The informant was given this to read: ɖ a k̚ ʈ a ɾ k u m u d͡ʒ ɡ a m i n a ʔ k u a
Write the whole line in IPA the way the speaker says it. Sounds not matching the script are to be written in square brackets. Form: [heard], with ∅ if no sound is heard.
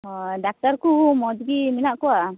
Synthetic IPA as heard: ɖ a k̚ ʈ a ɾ k u m [ɔ] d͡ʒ ɡ [i] m i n a ʔ k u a